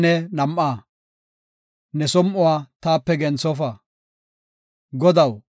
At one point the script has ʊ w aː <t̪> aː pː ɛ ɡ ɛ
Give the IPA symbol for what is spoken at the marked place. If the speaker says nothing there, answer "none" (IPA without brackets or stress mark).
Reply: t̪